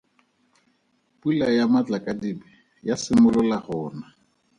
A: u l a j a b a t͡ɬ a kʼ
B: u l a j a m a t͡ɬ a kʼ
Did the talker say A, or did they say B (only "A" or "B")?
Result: B